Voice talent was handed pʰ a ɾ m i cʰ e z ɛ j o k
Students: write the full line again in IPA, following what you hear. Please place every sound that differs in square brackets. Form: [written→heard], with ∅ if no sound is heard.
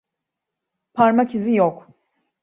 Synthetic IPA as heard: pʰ a ɾ m [i→a] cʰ [e→i] z [ɛ→i] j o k